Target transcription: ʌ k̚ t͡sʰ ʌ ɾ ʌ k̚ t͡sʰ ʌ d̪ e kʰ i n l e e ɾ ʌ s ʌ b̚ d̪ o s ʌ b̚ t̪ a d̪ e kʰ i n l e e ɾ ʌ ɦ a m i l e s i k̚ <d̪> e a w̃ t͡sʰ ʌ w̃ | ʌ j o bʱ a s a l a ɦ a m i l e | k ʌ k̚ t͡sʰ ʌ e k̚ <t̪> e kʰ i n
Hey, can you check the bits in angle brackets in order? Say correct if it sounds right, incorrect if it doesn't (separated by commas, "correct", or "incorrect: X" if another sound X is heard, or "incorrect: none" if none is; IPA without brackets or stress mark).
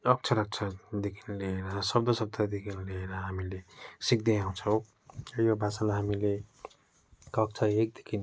correct, incorrect: d̪